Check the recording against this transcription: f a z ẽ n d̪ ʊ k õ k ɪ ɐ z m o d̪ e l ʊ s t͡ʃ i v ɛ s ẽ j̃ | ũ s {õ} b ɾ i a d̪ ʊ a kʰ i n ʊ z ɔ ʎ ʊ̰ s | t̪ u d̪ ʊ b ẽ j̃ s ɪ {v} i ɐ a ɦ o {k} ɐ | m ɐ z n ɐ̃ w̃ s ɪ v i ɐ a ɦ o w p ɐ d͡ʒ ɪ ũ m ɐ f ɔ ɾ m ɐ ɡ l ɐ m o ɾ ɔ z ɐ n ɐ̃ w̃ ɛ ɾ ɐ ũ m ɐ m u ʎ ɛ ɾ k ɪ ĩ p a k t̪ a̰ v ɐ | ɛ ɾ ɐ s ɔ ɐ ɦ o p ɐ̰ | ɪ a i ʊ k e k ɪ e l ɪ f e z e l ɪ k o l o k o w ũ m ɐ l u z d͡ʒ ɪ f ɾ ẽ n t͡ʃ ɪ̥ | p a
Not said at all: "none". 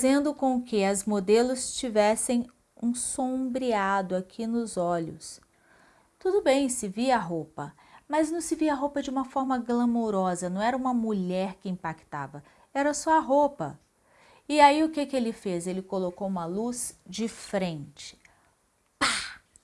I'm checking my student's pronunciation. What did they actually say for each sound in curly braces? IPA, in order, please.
õ, v, p

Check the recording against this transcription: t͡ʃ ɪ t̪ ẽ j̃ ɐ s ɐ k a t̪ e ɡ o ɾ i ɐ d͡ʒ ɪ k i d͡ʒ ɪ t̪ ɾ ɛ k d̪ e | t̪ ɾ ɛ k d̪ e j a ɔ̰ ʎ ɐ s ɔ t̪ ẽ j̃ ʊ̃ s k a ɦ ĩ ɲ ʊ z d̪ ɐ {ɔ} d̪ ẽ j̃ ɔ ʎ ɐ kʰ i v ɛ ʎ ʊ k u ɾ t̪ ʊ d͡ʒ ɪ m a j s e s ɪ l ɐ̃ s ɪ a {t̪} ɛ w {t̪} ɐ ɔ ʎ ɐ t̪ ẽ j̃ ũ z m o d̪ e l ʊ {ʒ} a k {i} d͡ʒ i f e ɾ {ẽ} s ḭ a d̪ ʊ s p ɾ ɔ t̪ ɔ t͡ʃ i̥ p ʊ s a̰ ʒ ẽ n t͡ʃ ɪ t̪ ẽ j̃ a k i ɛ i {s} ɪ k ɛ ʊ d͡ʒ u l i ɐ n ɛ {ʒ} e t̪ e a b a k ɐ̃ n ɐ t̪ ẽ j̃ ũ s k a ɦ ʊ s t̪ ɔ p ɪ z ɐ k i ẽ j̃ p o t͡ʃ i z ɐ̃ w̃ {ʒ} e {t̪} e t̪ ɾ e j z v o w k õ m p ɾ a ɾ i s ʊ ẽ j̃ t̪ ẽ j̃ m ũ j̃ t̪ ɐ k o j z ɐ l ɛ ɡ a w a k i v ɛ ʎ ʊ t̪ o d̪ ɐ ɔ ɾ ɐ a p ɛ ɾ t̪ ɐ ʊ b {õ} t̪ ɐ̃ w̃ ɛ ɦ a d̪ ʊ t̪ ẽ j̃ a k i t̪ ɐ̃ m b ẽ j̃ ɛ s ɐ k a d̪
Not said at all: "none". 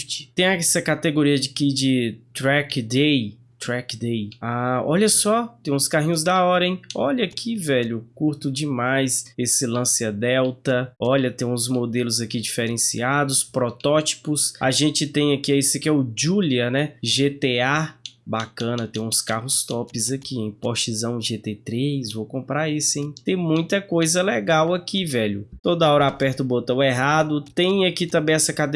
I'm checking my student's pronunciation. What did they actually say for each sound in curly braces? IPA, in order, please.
ɔ, d̪, t̪, z, i, ẽ, s, ʒ, ʒ, t̪, o

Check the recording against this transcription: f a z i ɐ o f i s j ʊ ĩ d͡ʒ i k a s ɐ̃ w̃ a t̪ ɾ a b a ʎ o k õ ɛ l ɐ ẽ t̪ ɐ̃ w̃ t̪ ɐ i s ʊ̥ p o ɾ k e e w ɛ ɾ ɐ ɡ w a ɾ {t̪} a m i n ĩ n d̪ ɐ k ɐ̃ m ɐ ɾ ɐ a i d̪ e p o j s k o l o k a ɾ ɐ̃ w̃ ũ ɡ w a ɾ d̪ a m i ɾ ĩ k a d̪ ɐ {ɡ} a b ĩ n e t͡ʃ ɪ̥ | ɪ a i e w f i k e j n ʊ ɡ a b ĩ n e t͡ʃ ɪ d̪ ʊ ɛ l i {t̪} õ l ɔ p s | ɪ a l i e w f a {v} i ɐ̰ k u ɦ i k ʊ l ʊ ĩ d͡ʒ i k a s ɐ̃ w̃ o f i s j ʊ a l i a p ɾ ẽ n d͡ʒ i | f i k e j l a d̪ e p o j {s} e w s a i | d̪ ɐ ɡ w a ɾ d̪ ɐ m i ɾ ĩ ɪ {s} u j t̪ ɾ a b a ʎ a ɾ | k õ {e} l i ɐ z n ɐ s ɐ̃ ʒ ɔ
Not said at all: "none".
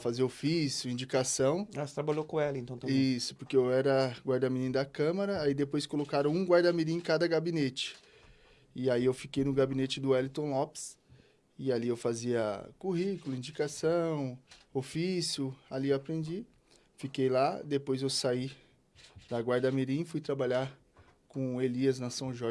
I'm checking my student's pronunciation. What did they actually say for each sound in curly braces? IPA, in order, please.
d̪, ɡ, t̪, z, z, f, e

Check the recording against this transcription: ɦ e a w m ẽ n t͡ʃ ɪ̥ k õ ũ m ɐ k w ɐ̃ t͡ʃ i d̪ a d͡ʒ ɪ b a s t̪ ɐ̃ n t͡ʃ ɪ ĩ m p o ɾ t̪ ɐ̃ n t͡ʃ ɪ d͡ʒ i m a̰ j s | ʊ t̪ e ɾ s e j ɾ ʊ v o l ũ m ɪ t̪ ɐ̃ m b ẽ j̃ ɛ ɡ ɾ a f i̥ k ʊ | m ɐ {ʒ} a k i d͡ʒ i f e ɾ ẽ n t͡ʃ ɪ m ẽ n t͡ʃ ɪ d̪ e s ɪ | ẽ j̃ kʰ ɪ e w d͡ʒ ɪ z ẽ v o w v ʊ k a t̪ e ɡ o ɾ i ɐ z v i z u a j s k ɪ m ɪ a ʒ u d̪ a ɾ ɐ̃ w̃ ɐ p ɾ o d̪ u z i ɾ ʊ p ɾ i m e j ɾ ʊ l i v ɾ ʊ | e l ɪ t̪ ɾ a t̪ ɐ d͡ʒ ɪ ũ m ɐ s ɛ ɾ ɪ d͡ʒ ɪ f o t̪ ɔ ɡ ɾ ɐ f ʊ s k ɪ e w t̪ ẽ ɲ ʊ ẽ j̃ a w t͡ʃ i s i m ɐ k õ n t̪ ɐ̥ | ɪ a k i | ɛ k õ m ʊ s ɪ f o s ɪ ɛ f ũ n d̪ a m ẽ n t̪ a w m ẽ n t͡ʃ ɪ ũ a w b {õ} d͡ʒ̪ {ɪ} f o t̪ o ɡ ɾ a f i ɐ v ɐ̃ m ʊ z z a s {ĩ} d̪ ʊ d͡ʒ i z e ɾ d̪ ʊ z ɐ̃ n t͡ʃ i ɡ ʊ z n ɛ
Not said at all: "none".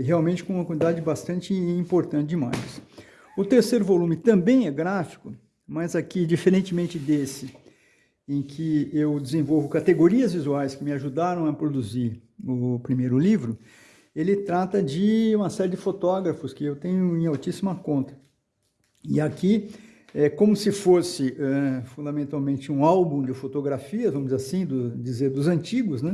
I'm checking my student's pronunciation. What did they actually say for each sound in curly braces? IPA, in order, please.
z, ũ, ɪ, ĩ

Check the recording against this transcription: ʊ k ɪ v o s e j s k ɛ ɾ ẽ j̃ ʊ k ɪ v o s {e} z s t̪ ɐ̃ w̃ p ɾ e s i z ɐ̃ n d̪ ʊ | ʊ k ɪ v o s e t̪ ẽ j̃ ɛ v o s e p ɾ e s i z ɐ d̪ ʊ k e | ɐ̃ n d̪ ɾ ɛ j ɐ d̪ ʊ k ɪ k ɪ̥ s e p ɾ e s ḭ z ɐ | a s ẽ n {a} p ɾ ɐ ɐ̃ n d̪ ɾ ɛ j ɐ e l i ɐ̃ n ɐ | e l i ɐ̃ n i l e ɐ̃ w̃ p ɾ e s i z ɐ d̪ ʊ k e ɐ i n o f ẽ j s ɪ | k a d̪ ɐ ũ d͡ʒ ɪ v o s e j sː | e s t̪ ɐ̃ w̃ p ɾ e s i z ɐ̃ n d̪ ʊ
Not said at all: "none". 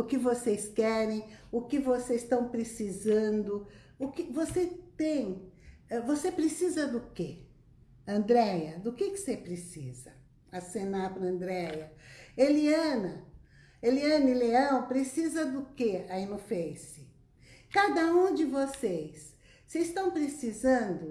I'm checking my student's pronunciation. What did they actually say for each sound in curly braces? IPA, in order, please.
e, a

